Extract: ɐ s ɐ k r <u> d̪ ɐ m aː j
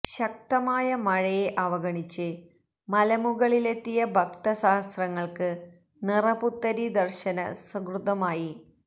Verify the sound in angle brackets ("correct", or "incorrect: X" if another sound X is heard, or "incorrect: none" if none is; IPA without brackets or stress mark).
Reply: correct